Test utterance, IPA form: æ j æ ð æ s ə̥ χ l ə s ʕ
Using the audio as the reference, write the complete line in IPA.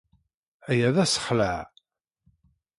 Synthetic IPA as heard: æ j æ ð æ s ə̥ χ l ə ʕ